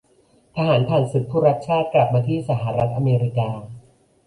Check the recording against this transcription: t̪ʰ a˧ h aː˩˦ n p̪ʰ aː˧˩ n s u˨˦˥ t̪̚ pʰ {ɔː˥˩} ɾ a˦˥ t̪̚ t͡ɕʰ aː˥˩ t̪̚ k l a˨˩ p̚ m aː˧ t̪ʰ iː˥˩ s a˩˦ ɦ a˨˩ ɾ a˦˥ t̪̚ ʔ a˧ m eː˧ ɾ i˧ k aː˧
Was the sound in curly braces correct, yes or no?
no